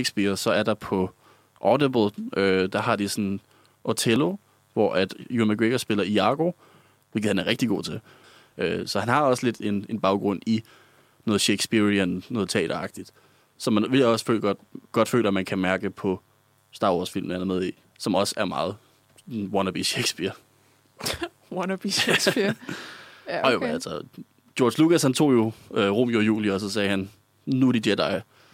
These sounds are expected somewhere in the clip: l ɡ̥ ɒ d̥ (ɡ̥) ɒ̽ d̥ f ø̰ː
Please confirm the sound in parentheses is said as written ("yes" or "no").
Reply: yes